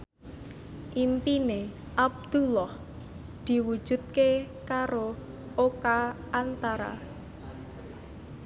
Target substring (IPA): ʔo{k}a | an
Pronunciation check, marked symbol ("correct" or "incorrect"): correct